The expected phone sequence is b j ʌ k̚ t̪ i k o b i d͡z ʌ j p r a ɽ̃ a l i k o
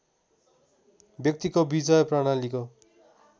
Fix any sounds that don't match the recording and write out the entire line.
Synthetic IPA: b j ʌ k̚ t̪ i k o b i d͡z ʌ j p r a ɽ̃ a l i k o